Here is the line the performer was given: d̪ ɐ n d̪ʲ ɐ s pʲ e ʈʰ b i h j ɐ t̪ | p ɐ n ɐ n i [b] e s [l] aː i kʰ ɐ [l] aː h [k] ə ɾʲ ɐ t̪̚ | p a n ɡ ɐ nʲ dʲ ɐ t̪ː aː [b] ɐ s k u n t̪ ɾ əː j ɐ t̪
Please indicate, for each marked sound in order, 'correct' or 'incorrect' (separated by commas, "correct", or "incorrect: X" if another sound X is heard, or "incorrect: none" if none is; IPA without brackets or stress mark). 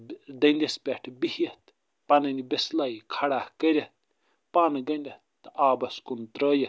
correct, correct, incorrect: ɽ, correct, correct